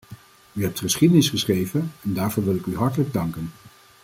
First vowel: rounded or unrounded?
rounded